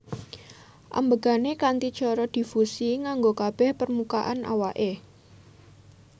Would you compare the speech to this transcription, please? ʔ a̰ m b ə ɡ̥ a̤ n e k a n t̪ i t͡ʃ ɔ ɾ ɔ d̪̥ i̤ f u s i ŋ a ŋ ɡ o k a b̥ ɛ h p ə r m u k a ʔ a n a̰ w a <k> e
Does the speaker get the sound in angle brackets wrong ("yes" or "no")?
yes